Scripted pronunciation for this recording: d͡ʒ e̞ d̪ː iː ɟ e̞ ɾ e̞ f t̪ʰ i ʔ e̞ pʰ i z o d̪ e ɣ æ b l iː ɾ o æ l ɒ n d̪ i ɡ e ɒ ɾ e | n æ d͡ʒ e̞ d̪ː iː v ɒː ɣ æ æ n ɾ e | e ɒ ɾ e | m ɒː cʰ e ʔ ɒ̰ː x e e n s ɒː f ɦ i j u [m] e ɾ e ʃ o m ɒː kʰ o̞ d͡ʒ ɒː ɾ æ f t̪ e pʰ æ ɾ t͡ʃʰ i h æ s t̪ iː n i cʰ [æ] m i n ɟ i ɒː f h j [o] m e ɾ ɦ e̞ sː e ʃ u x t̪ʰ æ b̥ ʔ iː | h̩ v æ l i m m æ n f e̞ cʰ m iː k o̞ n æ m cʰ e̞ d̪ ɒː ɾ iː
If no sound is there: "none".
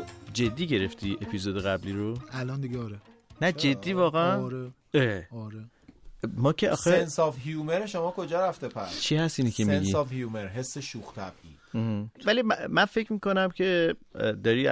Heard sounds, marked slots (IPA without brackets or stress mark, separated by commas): m, e, u